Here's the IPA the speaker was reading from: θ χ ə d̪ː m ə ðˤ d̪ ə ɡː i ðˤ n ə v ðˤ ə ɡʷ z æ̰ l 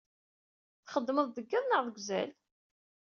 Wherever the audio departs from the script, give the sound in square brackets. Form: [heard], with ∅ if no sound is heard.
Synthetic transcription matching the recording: θ χ ə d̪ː m ə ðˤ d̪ ə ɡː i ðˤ n ə [ʁ] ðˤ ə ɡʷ z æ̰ l